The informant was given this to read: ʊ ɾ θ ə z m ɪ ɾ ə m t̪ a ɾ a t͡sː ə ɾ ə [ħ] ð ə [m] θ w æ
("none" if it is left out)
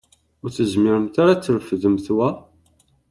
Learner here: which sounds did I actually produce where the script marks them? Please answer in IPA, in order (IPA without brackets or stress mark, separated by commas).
f, m